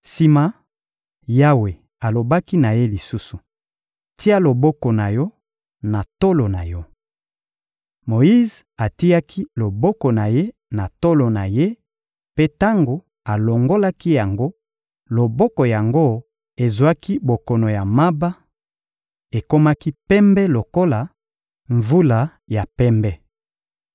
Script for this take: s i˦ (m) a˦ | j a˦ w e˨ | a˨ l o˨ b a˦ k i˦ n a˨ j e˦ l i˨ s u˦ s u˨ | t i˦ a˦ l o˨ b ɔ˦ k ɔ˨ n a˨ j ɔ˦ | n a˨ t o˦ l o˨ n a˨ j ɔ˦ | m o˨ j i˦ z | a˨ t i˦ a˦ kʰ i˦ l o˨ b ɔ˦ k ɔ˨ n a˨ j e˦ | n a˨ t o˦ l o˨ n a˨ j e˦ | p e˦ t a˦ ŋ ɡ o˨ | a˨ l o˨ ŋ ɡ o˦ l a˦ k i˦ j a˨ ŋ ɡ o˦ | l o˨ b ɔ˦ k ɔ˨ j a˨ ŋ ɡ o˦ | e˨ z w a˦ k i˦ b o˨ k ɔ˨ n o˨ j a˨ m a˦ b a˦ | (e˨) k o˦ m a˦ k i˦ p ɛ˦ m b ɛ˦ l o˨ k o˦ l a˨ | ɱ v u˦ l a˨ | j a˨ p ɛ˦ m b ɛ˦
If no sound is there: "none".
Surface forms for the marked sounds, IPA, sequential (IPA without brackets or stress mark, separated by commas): m, e˨